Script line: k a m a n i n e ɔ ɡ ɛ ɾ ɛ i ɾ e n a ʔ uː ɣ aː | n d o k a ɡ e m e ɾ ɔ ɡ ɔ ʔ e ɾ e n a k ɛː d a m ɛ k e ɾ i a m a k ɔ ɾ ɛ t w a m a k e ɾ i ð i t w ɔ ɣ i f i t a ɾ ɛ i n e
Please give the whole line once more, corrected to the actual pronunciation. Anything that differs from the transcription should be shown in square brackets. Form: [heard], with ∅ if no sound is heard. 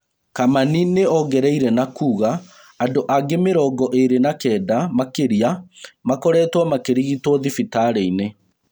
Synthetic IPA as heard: k a m a n i n e ɔ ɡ ɛ ɾ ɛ i ɾ [ɛ] n a [k] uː ɣ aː | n d o [ʔ] a ɡ e m e ɾ ɔ ɡ ɔ ʔ e ɾ e n a k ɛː d a m [a] k e ɾ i a m a k ɔ ɾ ɛ t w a m a k e ɾ i [ɣ] i t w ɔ [ð] i f i t a ɾ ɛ i n e